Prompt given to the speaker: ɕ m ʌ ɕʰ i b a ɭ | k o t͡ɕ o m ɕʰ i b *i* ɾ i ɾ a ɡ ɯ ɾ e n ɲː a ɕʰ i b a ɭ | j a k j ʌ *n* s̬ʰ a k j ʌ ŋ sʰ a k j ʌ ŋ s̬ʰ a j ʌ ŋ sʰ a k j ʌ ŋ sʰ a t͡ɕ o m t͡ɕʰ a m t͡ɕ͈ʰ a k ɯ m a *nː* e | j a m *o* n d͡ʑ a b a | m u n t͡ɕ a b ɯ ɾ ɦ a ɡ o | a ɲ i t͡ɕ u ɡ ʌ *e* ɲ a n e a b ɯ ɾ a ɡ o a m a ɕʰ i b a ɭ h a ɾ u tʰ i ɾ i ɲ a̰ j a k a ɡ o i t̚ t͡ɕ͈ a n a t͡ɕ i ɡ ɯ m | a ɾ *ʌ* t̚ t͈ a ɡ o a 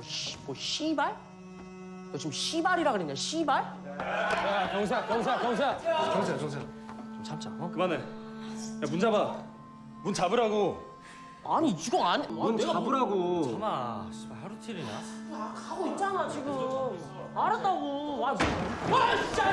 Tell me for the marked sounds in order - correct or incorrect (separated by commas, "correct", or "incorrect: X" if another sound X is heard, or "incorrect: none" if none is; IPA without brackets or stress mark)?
incorrect: a, incorrect: ŋ, incorrect: n, incorrect: u, incorrect: a, incorrect: a